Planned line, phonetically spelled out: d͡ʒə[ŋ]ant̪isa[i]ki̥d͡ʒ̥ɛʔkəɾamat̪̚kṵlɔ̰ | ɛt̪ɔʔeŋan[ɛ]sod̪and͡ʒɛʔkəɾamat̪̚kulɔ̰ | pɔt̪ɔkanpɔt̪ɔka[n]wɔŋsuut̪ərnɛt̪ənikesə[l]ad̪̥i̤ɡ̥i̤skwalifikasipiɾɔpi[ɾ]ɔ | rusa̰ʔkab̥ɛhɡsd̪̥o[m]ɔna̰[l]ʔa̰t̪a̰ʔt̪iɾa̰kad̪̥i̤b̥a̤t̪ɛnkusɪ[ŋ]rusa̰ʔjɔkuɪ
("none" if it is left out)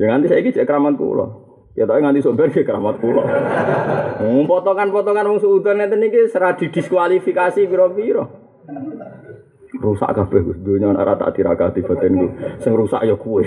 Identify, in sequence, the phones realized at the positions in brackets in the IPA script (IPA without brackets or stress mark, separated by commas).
ŋ, i, i, n, ɾ, ɾ, ɲ, ɾ, ŋ